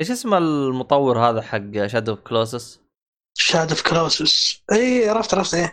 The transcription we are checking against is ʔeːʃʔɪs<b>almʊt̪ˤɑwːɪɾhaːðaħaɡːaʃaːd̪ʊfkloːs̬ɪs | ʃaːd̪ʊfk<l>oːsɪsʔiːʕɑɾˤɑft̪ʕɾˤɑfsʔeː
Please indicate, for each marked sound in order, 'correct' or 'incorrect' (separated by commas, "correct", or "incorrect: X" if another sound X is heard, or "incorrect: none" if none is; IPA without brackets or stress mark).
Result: incorrect: m, correct